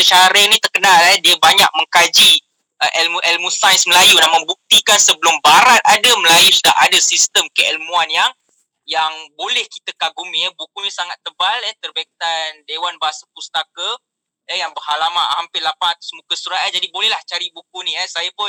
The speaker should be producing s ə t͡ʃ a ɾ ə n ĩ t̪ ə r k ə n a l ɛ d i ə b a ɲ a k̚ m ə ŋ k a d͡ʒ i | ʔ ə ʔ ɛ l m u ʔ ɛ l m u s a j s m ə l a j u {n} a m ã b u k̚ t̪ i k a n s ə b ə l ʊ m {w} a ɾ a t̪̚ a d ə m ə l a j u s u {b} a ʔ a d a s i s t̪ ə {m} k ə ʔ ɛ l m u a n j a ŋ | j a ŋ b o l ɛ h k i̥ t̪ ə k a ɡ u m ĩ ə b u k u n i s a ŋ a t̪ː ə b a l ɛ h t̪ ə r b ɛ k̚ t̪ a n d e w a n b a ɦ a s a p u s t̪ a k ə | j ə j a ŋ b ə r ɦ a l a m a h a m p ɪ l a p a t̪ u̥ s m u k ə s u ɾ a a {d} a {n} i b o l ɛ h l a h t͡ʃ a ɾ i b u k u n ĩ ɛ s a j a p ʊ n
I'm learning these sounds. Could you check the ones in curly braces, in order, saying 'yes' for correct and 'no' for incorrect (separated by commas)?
yes, no, no, yes, no, no